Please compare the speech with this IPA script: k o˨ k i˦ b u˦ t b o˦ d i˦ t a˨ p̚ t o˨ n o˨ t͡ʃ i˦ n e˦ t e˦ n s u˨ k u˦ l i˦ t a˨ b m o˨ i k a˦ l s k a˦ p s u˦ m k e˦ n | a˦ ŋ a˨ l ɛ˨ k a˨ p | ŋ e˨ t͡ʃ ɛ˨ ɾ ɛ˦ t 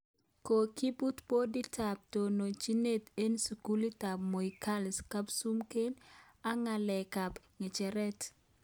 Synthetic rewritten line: k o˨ k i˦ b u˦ t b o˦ d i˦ t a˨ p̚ t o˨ n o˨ t͡ʃ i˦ n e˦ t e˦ n s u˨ k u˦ l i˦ t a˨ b m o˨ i k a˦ l s k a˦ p s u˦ m k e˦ n | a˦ ŋ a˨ l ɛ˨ k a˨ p | ŋ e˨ t͡ʃ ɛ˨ ɾ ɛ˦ t